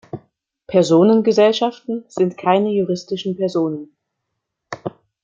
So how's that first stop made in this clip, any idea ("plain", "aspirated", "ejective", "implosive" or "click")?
aspirated